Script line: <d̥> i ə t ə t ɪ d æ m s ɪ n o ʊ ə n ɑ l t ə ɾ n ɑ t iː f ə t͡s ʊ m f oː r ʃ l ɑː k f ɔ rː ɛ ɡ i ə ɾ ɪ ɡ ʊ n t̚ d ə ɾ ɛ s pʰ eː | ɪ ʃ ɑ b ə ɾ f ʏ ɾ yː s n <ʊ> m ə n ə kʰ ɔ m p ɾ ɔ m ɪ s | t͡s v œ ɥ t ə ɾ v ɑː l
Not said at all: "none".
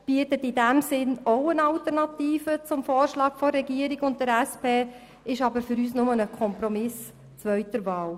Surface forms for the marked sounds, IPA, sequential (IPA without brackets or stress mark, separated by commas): b̥, ʊ